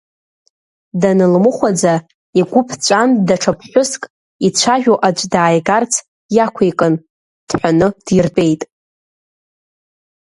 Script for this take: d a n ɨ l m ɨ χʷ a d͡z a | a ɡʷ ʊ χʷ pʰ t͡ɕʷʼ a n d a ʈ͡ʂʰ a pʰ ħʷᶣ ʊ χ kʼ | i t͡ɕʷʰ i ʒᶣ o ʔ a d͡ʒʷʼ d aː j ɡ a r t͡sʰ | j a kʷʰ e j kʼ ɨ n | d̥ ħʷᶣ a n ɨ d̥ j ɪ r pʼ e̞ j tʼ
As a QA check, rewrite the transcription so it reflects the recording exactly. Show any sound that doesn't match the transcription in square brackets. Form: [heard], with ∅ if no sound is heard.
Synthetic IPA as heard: d a n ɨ l m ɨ χʷ a d͡z a | [i] ɡʷ ʊ [∅] pʰ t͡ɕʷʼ a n d a ʈ͡ʂʰ a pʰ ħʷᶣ ʊ [s] kʼ | i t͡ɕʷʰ [a] ʒᶣ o ʔ a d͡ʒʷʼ d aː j ɡ a r t͡sʰ | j a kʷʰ e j kʼ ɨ n | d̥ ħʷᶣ a n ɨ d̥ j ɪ r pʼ e̞ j tʼ